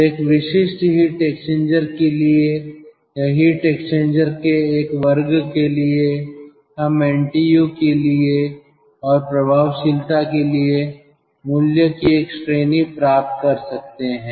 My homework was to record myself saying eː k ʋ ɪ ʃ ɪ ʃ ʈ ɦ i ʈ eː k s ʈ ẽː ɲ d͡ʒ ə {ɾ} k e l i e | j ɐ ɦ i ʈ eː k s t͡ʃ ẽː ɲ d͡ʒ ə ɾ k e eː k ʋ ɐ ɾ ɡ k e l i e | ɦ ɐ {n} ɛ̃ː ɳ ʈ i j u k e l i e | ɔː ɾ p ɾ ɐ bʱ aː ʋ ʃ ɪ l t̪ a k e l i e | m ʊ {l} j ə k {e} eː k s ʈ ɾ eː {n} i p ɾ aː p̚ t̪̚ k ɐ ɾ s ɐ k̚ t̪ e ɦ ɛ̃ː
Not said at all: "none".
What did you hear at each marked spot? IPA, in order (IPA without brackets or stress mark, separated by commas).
ɾ, m, l, i, n